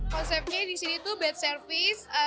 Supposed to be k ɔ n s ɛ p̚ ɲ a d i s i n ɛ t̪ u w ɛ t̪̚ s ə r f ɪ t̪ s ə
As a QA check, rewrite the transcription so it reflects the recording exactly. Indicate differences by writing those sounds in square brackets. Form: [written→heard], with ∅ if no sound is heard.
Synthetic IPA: k ɔ n s ɛ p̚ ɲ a d i s i n [ɛ→i] t̪ u [w→b] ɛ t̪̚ s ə r f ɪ [t̪→∅] s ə

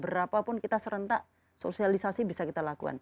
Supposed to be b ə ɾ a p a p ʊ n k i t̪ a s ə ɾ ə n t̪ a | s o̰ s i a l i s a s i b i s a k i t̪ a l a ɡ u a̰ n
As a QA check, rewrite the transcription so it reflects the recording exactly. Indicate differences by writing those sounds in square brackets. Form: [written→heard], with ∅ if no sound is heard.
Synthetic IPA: b ə ɾ a p a p ʊ n k i t̪ a s ə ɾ ə n t̪ a | s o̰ s i a l i s a s i b i s a k i t̪ a l a [ɡ→k] u a̰ n

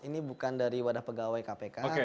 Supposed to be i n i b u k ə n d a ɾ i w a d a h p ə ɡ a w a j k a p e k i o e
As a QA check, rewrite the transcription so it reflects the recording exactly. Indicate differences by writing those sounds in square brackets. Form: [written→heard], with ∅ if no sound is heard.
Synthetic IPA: i n i b u k [ə→a] n d a ɾ i w a d a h p ə ɡ a w a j k a p e k [i→a] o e

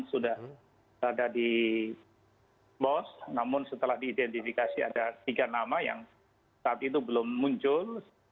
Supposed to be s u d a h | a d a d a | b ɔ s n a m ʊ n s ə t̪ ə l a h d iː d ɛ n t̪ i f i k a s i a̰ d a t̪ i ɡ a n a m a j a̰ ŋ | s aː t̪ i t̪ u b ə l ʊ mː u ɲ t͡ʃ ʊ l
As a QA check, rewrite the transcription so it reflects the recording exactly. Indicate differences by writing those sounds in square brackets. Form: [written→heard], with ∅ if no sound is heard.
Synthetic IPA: s u d a h | a d a d [a→i] | b ɔ s n a m ʊ n s ə t̪ ə l a h d iː d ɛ n t̪ i f i k a s i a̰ d a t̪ i ɡ a n a m a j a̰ ŋ | s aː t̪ i t̪ u b ə l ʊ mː u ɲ t͡ʃ ʊ l

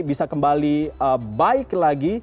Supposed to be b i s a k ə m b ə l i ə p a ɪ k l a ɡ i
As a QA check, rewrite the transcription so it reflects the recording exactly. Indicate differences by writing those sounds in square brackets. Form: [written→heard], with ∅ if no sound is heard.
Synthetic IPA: b i s a k ə m b [ə→a] l i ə [p→b] a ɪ k l a ɡ i

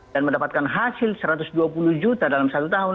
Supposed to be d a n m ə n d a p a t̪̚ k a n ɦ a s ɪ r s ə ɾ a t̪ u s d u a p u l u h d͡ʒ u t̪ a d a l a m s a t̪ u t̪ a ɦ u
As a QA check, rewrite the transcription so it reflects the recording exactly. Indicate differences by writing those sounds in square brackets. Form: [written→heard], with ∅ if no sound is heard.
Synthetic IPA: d a n m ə n d a p a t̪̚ k a n ɦ a s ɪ [r→l] s ə ɾ a t̪ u s d u a p u l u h d͡ʒ u t̪ a d a l a m s a t̪ u t̪ a ɦ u

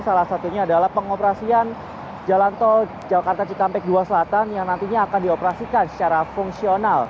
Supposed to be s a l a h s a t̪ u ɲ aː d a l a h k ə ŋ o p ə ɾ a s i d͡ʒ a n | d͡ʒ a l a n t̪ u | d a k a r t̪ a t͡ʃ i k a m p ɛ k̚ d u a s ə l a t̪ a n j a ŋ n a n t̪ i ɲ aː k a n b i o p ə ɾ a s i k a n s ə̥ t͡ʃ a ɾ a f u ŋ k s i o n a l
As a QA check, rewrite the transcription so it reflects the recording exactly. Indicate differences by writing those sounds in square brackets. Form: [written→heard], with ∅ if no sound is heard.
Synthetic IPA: s a l a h s a t̪ u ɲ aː d a l a h [k→p] ə ŋ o p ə ɾ a s i [d͡ʒ→∅] a n | d͡ʒ a l a n t̪ [u→ɔ] | [d→d͡ʒ] a k a r t̪ a t͡ʃ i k a m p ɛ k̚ d u a s ə l a t̪ a n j a ŋ n a n t̪ i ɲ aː k a n [b→d] i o p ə ɾ a s i k a n s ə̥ t͡ʃ a ɾ a f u ŋ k s i o n a l

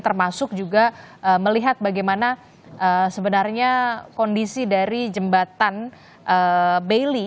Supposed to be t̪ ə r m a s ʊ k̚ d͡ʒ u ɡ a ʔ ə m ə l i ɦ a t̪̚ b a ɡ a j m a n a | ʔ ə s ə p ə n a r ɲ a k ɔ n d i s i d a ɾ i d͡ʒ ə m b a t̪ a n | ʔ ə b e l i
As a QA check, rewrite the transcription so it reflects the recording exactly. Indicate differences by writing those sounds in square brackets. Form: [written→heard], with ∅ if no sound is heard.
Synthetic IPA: t̪ ə r m a s ʊ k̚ d͡ʒ u ɡ a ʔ ə m ə l i ɦ a t̪̚ b a ɡ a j m a n a | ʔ ə s ə [p→b] ə n a r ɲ a k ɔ n d i s i d a ɾ i d͡ʒ ə m b a t̪ a n | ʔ ə b e l i

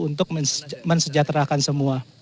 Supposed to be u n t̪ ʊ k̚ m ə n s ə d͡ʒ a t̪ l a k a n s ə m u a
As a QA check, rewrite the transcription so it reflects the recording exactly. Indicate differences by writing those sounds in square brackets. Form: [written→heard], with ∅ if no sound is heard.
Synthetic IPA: u n t̪ ʊ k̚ m ə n s ə d͡ʒ a t̪ [l→ɾ] a k a n s ə m u a

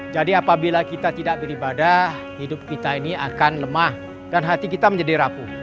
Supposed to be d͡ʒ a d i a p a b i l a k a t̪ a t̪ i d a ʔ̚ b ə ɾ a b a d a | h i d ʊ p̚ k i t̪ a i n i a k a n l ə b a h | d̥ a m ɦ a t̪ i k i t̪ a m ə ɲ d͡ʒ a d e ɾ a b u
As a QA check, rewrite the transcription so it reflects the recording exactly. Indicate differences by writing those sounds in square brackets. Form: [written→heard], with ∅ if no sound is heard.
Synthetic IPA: d͡ʒ a d i a p a b i l a k [a→i] t̪ a t̪ i d a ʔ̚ b ə ɾ [a→i] b a d a | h i d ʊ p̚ k i t̪ a i n i a k a n l ə [b→m] a h | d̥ a [m→n] ɦ a t̪ i k i t̪ a m ə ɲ d͡ʒ a d [e→i] ɾ a [b→p] u

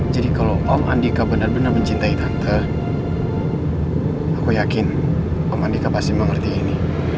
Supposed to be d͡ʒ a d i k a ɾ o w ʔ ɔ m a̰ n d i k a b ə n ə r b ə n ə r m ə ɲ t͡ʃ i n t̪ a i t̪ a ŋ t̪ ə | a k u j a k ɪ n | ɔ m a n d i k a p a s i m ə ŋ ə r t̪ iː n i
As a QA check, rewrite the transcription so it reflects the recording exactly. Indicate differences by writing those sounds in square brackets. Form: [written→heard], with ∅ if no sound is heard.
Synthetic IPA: d͡ʒ a d i k a [ɾ→l] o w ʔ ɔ m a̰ n d i k a b ə n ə r b ə n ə r m ə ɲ t͡ʃ i n t̪ a i t̪ a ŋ t̪ ə | a k u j a k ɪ n | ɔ m a n d i k a p a s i m ə ŋ ə r t̪ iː n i

